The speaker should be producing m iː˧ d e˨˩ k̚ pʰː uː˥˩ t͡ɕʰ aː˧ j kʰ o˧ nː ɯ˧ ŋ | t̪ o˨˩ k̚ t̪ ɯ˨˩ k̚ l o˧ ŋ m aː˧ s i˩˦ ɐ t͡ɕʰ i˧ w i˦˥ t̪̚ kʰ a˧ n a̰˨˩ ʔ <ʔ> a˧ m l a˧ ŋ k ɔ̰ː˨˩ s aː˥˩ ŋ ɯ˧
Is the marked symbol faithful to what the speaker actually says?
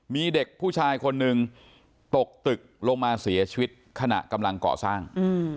no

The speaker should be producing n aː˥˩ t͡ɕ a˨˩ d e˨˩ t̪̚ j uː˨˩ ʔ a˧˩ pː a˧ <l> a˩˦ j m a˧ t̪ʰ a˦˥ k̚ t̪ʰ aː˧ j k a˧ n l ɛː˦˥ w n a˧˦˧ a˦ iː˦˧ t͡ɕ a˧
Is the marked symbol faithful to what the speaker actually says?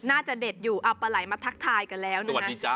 yes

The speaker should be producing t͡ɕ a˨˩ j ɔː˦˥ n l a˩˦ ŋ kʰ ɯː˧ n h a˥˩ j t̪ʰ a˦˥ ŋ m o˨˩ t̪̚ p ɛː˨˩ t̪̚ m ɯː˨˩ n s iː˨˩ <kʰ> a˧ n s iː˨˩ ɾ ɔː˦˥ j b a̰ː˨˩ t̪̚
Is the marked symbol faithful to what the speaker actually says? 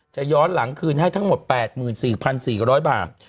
no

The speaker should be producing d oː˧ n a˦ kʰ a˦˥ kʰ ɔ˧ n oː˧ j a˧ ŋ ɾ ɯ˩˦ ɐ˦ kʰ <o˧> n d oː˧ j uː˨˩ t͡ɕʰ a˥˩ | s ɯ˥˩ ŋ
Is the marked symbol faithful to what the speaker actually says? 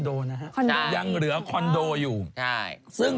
no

